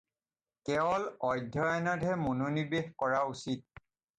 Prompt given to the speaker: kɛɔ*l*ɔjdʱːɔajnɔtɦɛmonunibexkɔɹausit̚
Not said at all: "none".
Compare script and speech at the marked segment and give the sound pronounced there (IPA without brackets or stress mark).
l